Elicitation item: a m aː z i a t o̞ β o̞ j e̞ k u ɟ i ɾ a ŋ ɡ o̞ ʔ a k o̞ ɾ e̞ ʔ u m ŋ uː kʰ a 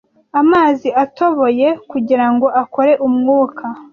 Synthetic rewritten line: a m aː z i a t o̞ β o̞ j e̞ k u ɟ i ɾ a ŋ ɡ o̞ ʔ a k o̞ ɾ e̞ ʔ u m ŋ uː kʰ a